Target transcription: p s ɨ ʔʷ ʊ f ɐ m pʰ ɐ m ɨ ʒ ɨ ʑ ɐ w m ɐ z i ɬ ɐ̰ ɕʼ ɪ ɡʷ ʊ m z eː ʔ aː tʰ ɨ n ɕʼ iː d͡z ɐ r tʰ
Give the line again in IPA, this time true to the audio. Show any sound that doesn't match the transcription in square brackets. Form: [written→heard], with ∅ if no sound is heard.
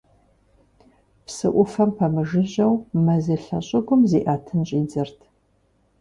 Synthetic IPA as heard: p s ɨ ʔʷ ʊ f ɐ m pʰ ɐ m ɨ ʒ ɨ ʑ ɐ w m ɐ z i ɬ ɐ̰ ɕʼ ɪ ɡʷ ʊ m z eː ʔ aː tʰ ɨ n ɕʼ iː d͡z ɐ r tʰ